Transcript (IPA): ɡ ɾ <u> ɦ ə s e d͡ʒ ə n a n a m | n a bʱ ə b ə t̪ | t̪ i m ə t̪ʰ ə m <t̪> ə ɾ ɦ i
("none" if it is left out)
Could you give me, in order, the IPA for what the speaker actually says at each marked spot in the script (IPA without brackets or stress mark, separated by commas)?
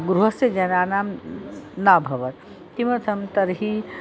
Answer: u, t̪